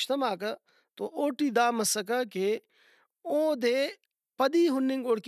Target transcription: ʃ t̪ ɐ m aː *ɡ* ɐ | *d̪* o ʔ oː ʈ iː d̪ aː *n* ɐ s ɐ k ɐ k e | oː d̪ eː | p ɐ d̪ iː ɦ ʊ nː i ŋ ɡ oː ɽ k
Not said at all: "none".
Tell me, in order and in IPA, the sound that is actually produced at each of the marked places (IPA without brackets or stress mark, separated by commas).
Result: k, t̪, m